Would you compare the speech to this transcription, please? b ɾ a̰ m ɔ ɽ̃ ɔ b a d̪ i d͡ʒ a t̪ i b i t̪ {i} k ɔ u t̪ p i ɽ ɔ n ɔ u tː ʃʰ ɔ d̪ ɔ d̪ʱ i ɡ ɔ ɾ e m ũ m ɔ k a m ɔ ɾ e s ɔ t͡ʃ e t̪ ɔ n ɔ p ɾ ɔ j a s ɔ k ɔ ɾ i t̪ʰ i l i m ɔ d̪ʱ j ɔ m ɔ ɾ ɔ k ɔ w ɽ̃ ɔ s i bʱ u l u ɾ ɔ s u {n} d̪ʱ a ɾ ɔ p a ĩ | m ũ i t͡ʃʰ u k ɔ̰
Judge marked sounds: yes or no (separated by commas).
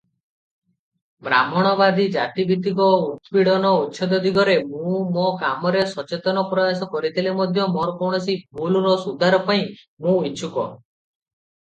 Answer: yes, no